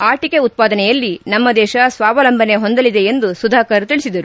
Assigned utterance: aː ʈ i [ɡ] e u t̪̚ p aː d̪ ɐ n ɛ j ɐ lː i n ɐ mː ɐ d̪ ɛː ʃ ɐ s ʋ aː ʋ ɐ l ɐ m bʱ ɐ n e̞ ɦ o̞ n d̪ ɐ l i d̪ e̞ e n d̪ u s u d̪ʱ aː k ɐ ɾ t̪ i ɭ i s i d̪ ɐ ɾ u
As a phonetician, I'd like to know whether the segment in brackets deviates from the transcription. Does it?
yes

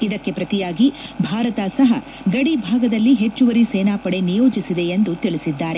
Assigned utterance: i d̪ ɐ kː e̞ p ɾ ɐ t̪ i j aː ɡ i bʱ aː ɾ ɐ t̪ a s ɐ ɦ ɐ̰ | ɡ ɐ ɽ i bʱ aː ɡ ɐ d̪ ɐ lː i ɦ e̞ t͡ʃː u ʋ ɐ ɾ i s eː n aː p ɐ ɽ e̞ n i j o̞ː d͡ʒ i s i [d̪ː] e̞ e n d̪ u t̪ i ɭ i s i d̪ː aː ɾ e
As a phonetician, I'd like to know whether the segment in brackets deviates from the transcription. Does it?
yes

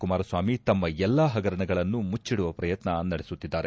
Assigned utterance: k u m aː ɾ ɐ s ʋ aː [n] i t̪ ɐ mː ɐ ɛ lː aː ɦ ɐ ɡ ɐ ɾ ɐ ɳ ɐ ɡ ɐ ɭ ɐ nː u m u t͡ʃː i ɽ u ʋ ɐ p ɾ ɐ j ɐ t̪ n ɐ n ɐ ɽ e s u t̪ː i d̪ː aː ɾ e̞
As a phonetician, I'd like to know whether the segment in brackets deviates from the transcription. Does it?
yes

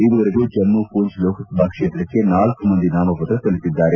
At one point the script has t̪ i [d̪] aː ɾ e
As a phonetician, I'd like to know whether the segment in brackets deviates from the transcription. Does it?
yes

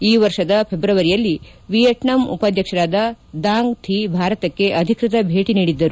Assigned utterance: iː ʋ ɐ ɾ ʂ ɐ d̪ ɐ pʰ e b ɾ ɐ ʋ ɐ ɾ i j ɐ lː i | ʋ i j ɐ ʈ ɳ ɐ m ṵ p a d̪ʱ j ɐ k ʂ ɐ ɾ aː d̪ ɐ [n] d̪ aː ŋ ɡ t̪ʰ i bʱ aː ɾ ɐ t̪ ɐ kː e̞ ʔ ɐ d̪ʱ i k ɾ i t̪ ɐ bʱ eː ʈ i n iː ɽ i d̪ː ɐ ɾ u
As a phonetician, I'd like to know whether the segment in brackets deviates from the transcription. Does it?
yes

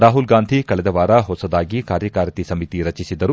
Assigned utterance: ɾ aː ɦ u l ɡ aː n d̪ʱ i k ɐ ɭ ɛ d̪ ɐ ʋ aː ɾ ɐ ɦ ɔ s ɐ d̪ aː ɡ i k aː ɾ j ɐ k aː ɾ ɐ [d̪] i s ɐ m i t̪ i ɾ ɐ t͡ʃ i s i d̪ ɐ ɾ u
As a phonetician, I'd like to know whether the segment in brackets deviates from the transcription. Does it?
yes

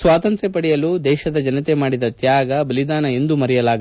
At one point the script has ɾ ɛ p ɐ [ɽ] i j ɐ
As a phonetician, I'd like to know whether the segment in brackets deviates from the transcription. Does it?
no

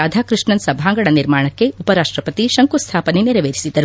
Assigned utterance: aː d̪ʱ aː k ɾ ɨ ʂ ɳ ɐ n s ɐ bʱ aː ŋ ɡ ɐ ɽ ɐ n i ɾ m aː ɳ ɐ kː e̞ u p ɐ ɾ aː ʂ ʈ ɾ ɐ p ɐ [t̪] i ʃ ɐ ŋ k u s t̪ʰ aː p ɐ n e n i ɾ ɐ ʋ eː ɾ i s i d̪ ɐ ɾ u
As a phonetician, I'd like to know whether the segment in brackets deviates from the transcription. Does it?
no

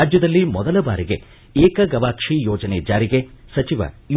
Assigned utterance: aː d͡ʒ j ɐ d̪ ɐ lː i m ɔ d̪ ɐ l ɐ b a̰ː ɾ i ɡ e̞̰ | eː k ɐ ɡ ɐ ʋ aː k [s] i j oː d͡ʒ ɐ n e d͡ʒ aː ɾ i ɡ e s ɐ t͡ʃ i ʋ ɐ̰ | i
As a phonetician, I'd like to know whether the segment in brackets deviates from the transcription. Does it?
yes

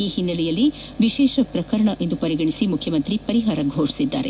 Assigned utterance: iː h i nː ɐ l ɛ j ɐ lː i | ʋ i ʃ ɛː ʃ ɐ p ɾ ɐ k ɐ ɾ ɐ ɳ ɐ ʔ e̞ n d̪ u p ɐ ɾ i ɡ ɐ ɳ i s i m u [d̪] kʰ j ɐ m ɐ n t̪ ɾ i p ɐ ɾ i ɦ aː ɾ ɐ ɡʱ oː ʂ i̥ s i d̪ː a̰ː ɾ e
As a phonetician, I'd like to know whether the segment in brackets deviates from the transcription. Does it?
yes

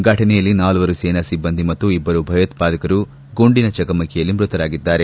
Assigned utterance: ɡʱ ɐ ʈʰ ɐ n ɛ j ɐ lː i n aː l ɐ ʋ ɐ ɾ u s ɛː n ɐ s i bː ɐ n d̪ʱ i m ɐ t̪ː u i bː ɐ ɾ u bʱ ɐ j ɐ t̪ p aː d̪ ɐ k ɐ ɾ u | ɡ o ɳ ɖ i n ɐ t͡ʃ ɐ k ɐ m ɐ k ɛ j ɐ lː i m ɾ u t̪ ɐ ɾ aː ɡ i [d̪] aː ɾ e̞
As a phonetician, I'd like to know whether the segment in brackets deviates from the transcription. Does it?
yes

